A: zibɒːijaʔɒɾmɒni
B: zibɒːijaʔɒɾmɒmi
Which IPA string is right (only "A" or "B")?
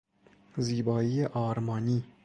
A